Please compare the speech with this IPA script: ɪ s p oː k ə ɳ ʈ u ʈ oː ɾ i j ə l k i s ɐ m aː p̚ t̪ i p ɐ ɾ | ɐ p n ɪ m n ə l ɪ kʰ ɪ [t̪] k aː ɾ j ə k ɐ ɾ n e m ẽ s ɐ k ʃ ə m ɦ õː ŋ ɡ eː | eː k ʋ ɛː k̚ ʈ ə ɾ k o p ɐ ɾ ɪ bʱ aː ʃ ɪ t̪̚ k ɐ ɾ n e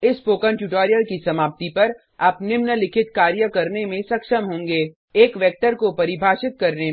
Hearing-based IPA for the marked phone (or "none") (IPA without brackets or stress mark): t̪